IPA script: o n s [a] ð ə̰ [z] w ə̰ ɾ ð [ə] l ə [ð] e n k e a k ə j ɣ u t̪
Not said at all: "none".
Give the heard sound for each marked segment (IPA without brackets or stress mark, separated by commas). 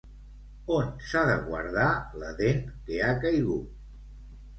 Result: a, ɣ, a, ð